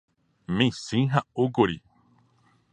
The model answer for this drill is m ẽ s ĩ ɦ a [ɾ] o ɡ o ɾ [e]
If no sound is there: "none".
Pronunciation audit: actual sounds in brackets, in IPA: none, i

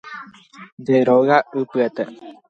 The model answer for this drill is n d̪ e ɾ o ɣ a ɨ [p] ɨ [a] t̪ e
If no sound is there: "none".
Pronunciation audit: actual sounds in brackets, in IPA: p, e

